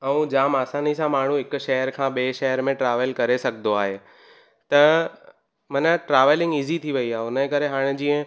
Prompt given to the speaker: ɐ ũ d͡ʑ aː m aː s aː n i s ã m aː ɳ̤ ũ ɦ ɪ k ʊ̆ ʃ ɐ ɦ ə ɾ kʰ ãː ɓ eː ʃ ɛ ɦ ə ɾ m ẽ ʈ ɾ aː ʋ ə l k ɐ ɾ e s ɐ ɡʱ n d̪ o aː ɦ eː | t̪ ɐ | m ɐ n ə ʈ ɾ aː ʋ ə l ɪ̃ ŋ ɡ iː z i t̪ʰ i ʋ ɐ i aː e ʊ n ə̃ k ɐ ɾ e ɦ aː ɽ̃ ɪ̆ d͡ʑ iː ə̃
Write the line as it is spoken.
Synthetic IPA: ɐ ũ d͡ʑ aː m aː s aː n i s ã m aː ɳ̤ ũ ɦ ɪ k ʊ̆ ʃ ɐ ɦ ə ɾ kʰ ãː ɓ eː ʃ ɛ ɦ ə ɾ m ẽ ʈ ɾ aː ʋ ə l k ɐ ɾ e s ɐ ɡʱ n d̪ o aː ɦ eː | t̪ ɐ | m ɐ n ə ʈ ɾ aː ʋ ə l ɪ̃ ŋ ɡ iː z i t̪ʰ i ʋ ɐ i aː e ʊ n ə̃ k ɐ ɾ e ɦ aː ɽ̃ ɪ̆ d͡ʑ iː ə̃